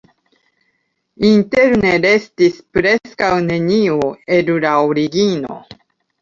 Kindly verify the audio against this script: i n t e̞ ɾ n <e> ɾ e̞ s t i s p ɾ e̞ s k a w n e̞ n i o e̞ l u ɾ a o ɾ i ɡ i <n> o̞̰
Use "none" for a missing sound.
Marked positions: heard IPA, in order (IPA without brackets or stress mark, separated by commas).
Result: e, n